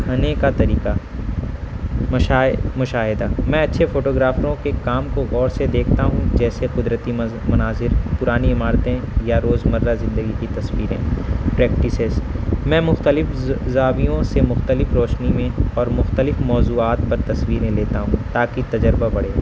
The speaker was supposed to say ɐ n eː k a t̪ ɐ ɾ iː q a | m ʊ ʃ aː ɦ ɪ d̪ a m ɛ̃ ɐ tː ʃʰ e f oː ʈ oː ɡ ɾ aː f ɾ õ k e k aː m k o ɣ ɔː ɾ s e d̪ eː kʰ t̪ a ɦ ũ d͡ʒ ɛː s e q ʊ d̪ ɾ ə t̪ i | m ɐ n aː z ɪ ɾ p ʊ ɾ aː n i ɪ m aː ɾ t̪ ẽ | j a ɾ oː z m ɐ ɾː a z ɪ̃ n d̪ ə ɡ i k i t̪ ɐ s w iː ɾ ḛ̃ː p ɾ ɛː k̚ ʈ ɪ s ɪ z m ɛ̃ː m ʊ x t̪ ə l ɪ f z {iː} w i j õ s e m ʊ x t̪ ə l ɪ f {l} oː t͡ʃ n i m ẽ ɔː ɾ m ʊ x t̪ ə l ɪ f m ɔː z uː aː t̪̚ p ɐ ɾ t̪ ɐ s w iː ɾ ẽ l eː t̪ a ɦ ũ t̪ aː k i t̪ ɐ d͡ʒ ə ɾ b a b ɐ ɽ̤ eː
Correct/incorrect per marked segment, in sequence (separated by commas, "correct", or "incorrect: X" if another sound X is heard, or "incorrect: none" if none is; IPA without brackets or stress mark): incorrect: aː, incorrect: ɾ